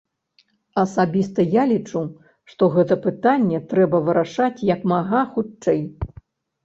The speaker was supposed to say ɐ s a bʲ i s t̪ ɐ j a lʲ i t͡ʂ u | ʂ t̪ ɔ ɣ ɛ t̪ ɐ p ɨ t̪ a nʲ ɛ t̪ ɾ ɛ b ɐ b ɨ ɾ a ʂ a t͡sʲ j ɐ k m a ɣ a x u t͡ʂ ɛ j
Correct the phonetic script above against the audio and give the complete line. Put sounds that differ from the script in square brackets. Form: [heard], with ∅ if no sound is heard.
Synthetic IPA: ɐ s a bʲ i s t̪ ɐ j a lʲ i t͡ʂ u | ʂ t̪ ɔ ɣ ɛ t̪ ɐ p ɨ t̪ a [nʲː] ɛ t̪ ɾ ɛ b ɐ [v] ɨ ɾ a ʂ a t͡sʲ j ɐ k m a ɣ a x u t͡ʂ ɛ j